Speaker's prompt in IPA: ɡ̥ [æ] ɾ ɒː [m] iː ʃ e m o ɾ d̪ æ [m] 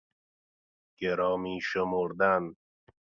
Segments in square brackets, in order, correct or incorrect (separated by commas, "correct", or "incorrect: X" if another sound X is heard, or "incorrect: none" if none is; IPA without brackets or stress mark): incorrect: e, correct, incorrect: n